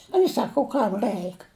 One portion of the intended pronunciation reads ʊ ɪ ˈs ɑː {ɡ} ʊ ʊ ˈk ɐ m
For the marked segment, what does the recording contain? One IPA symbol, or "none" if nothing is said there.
k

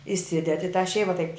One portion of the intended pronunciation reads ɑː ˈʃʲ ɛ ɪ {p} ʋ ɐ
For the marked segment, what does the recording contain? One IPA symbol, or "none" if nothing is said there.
none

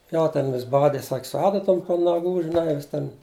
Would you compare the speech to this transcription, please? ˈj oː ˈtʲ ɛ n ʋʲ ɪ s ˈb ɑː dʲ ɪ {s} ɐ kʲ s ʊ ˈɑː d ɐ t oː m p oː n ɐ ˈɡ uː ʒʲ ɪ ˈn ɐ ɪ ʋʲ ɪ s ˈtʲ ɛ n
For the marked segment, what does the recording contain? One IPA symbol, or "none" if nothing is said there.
s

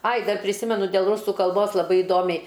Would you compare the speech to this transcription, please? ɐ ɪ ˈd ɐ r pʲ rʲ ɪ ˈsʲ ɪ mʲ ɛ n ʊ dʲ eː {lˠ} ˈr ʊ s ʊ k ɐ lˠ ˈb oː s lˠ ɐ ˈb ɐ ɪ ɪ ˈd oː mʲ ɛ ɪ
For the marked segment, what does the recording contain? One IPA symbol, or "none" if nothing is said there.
lˠ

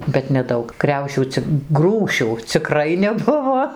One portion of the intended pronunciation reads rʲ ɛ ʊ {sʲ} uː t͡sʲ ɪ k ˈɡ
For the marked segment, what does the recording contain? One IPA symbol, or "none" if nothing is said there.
ʃʲ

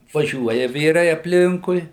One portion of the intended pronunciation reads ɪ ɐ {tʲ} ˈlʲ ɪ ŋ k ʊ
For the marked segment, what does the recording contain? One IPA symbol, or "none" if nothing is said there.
pʲ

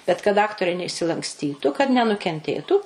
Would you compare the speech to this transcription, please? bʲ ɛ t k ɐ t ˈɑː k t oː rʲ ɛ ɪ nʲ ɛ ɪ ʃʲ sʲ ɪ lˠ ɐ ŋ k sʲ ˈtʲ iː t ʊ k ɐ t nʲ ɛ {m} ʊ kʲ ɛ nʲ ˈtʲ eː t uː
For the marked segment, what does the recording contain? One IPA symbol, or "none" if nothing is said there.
n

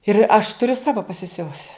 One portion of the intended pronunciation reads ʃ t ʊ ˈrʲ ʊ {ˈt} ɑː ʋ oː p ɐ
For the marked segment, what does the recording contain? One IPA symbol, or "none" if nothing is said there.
s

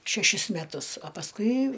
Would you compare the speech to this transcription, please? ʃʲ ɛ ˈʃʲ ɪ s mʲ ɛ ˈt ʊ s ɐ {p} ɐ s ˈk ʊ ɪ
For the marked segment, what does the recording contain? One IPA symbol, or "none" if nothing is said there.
p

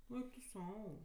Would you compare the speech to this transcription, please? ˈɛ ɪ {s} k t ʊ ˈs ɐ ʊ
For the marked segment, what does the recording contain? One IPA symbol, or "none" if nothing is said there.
none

